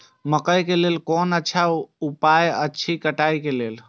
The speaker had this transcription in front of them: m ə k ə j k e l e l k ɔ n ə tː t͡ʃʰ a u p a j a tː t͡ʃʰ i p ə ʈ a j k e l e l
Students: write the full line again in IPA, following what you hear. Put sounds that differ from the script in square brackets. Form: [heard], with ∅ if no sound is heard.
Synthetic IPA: m ə k ə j k e l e l k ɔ n ə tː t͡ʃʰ a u p a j [ə] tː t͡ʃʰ i [k] ə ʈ a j k e l e l